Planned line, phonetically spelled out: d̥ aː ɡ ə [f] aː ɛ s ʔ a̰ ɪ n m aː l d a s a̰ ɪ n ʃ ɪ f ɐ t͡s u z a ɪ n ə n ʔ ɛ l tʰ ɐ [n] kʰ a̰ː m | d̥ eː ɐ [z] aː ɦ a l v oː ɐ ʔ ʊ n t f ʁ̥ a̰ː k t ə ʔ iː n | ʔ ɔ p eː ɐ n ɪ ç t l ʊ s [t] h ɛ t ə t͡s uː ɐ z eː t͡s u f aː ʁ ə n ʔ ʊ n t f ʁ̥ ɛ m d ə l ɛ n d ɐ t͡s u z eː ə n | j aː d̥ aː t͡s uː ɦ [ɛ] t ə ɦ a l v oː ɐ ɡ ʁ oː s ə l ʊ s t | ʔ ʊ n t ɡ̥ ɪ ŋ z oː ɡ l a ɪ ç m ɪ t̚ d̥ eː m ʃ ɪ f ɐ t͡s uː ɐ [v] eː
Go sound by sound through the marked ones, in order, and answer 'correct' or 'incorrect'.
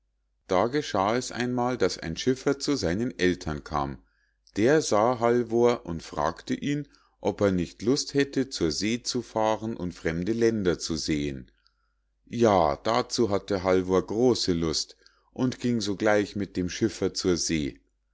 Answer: incorrect, correct, correct, correct, incorrect, incorrect

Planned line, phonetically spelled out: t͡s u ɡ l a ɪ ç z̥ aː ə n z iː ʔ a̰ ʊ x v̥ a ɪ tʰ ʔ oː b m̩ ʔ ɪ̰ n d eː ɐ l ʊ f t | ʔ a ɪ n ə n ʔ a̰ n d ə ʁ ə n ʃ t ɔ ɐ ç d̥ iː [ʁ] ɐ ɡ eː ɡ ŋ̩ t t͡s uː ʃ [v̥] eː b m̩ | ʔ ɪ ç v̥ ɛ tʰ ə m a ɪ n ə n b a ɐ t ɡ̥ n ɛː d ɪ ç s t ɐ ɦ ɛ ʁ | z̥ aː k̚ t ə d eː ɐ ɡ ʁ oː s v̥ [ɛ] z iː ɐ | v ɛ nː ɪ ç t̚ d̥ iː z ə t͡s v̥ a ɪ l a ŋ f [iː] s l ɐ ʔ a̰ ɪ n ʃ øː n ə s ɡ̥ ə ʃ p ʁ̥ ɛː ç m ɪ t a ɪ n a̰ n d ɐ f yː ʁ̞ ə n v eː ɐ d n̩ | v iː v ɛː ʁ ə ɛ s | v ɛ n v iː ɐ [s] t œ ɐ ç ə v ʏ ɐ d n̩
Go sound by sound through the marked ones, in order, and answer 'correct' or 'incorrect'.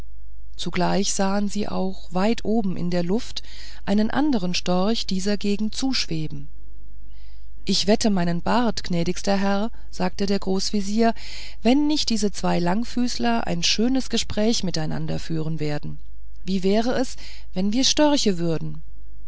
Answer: incorrect, correct, incorrect, incorrect, incorrect

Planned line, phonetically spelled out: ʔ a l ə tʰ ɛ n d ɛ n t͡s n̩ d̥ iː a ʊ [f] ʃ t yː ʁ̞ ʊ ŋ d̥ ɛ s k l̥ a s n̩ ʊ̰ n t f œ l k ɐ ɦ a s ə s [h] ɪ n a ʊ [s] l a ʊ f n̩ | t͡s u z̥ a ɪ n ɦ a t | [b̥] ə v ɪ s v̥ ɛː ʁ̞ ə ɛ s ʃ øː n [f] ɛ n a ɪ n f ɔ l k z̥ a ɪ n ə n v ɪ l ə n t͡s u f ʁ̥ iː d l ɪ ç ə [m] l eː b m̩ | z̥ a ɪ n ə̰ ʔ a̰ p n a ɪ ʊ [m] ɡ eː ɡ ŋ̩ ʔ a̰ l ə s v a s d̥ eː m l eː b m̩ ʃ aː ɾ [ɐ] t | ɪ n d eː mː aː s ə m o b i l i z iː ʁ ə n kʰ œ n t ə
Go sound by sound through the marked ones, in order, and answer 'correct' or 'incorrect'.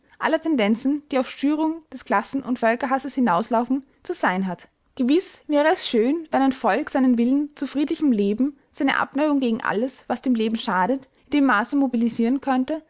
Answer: correct, correct, correct, incorrect, incorrect, correct, incorrect, incorrect

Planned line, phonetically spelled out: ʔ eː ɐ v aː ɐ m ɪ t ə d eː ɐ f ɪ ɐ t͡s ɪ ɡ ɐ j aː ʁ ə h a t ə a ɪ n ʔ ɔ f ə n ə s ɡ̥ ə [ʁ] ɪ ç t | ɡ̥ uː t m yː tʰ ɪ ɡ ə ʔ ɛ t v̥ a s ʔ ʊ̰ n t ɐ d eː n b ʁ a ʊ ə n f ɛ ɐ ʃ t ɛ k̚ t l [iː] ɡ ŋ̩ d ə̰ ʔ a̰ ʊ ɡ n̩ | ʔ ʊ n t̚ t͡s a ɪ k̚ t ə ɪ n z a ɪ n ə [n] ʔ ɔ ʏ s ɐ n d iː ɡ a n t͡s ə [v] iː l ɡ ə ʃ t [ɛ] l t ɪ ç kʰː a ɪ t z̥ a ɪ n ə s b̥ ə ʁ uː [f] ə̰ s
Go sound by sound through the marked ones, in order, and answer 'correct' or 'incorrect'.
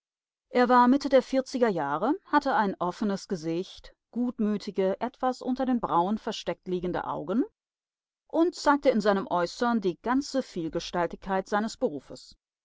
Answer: incorrect, correct, incorrect, incorrect, incorrect, correct

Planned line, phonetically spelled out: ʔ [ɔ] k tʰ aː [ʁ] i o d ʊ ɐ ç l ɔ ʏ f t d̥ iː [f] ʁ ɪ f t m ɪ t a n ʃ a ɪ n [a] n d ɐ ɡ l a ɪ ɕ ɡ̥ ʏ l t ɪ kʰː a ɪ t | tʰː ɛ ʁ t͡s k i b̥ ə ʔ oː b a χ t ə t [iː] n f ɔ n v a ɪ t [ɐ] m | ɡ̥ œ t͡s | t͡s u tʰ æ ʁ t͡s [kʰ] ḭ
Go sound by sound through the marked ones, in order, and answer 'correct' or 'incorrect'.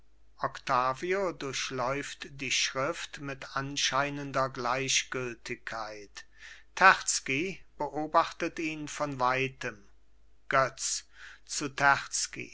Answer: correct, incorrect, incorrect, incorrect, correct, incorrect, incorrect

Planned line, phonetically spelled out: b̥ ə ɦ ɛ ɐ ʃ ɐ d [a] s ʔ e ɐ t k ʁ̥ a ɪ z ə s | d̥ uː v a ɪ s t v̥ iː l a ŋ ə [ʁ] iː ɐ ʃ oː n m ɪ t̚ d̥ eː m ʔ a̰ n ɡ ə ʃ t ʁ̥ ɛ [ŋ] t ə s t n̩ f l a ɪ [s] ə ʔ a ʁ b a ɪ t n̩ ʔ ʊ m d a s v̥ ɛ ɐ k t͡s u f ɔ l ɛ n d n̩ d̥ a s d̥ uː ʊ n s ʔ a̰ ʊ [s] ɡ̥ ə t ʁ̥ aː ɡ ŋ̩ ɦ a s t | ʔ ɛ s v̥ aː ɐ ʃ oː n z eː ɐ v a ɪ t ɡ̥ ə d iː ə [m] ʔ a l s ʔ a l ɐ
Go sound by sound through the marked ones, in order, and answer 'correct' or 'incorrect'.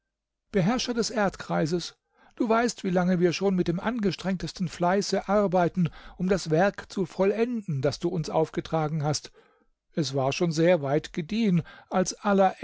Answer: incorrect, incorrect, correct, correct, incorrect, incorrect

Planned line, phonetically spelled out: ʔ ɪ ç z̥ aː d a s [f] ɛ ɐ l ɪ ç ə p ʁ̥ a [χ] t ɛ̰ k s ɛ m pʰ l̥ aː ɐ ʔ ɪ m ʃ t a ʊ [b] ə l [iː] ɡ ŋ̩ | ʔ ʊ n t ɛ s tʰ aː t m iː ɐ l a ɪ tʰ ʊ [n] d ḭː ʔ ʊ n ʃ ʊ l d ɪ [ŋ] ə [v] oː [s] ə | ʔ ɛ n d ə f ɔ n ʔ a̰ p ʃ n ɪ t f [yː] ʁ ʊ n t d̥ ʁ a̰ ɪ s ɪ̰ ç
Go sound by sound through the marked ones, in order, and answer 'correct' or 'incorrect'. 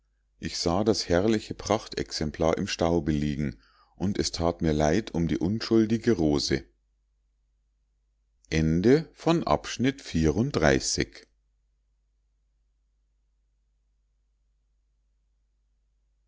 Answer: incorrect, correct, correct, correct, incorrect, incorrect, incorrect, incorrect, incorrect

